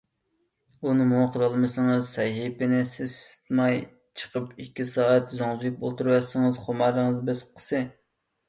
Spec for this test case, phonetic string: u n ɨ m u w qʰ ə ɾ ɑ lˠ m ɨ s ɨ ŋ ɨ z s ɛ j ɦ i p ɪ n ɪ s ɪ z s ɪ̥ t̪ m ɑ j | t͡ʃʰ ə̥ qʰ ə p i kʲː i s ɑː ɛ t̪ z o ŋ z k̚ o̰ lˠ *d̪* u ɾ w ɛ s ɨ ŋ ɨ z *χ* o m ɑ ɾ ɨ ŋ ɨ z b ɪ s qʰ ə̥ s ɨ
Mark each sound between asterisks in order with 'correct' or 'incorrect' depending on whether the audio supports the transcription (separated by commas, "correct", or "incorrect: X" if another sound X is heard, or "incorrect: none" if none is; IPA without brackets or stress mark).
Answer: incorrect: t̪, correct